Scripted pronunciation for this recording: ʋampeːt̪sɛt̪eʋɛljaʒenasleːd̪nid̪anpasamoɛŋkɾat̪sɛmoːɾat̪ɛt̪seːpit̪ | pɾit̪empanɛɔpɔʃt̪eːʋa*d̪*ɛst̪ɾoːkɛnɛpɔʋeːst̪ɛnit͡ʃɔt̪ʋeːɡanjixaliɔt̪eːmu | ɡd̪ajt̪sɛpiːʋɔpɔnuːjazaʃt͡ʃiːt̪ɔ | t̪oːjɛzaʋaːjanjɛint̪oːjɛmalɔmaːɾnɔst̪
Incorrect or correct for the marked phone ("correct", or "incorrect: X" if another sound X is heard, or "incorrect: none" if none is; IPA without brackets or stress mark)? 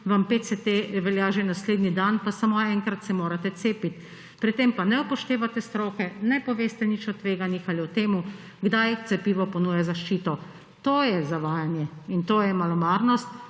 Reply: incorrect: t̪